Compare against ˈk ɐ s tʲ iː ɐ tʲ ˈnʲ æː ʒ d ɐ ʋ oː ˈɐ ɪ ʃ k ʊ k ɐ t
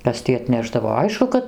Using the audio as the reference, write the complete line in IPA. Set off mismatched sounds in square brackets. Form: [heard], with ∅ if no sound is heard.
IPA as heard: ˈk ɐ s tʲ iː ɐ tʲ ˈnʲ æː ʒ d ɐ ʋ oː ˈɐ ɪ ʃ k ʊ k ɐ t